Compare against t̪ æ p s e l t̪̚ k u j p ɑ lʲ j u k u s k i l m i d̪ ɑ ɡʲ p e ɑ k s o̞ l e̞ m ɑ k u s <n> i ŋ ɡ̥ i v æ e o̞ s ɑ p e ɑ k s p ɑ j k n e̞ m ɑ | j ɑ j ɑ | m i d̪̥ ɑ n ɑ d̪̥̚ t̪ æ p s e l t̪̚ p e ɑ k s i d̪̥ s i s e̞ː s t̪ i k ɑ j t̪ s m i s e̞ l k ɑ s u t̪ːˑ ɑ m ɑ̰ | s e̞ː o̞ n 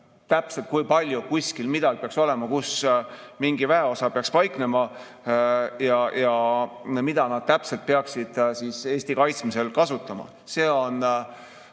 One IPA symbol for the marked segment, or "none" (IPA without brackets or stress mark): m